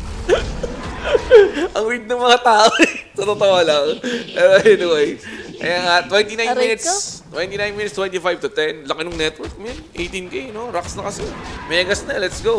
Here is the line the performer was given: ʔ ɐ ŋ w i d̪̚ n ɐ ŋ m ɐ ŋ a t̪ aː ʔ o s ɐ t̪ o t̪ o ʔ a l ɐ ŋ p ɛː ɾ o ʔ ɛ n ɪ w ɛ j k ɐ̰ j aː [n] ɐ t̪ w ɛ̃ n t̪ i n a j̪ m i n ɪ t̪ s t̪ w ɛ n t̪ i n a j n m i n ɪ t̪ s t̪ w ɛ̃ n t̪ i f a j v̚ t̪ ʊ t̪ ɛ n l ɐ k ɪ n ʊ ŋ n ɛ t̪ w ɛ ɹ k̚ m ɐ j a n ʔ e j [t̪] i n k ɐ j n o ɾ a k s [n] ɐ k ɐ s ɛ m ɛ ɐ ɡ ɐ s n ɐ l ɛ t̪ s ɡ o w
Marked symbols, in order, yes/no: no, yes, yes

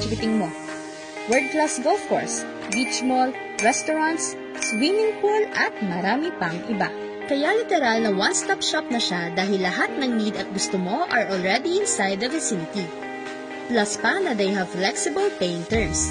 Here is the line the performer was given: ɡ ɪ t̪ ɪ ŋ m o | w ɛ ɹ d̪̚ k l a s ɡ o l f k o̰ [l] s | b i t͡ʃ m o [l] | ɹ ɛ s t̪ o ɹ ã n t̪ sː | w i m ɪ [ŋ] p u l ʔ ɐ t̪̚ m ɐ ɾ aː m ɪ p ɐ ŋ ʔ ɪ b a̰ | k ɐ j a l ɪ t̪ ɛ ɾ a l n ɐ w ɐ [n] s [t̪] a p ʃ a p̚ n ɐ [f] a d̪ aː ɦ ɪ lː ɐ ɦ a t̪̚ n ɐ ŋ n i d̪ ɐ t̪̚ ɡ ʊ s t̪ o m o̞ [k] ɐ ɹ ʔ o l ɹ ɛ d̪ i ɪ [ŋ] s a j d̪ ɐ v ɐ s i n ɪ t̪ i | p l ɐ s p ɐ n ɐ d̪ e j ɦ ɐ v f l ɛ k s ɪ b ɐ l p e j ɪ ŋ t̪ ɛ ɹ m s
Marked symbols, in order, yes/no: no, yes, yes, yes, yes, no, no, no

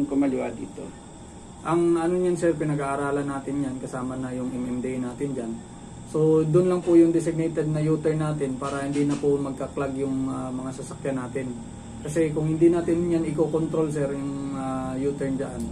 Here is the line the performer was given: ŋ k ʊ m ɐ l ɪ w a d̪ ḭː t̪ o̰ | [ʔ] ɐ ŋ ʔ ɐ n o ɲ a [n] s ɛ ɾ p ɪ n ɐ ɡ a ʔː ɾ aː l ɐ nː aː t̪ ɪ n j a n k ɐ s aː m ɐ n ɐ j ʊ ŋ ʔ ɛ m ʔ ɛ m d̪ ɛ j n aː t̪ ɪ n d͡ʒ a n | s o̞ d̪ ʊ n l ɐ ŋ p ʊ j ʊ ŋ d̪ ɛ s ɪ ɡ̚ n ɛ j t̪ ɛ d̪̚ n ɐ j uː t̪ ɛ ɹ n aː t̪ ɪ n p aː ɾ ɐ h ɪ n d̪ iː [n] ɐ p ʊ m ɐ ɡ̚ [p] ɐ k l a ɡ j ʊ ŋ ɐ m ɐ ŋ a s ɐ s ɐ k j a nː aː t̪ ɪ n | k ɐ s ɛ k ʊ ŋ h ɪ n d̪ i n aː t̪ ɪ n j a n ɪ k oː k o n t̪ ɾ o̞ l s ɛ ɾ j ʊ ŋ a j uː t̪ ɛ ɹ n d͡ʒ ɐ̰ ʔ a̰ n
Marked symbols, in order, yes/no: yes, yes, yes, no

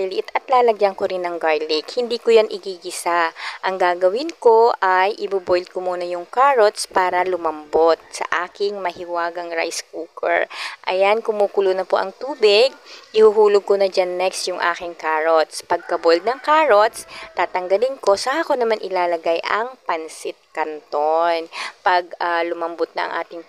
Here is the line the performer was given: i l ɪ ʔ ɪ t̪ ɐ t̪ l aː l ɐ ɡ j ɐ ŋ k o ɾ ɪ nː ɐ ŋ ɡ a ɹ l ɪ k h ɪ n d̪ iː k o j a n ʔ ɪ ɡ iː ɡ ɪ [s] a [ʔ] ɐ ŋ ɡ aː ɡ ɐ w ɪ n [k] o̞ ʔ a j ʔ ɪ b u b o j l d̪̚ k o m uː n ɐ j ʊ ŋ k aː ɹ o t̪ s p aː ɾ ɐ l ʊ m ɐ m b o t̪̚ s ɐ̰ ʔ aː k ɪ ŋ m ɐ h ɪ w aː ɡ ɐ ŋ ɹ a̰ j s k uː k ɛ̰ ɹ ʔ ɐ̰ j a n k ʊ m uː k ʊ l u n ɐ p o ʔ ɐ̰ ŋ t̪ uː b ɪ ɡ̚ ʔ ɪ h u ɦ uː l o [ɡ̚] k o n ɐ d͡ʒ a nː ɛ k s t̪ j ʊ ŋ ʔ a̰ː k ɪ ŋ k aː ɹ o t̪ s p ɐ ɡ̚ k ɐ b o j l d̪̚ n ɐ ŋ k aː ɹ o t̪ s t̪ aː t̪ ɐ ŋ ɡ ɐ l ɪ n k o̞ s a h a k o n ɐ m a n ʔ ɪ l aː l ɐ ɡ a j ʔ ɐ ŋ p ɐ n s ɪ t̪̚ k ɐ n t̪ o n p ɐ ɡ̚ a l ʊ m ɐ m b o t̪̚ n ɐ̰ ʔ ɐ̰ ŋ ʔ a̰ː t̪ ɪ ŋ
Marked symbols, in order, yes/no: yes, yes, yes, yes

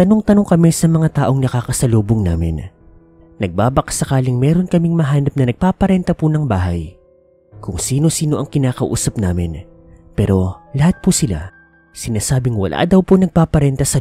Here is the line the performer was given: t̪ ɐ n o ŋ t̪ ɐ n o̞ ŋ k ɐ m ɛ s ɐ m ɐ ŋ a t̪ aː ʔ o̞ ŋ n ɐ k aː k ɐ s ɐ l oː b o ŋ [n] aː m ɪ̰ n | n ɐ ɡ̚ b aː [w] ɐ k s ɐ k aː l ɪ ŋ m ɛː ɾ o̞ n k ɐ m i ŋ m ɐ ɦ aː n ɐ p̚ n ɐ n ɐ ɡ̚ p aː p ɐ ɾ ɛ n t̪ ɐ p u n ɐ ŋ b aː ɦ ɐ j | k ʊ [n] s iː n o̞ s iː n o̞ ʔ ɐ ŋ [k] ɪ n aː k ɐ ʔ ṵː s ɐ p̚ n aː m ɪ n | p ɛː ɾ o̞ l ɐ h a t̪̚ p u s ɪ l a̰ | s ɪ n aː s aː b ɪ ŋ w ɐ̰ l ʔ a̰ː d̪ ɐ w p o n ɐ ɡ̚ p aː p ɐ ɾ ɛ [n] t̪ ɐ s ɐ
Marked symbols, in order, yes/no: yes, no, no, yes, yes

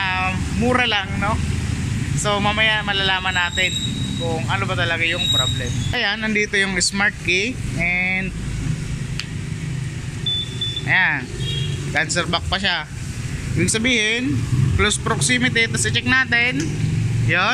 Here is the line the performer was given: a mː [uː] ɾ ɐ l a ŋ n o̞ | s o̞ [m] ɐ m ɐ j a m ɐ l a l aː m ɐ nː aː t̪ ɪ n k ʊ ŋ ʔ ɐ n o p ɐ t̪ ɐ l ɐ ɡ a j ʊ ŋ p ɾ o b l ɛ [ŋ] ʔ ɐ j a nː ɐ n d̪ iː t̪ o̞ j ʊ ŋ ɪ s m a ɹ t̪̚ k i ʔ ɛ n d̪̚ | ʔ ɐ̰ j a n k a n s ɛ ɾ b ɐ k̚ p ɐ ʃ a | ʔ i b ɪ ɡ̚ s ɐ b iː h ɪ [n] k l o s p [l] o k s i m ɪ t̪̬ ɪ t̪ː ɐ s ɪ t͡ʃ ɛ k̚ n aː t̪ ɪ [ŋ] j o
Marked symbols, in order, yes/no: yes, yes, no, yes, no, no

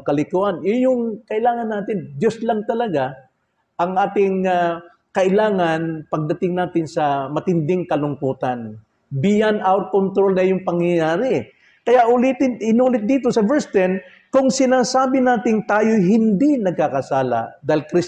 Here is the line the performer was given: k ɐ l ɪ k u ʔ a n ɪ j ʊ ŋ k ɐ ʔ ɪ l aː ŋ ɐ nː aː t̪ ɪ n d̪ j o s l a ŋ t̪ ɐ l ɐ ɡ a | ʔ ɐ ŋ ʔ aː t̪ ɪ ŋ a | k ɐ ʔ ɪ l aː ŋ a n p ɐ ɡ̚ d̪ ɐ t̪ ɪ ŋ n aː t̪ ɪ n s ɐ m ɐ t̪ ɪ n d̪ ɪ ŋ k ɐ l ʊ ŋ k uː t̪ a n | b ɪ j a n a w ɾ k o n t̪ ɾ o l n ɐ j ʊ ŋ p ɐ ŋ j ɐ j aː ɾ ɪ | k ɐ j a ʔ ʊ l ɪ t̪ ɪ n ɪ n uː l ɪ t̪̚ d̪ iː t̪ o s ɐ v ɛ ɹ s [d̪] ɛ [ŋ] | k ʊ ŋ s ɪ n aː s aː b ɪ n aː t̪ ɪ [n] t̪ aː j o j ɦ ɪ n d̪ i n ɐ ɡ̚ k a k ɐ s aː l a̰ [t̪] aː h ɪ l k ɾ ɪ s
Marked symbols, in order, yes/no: no, no, no, no

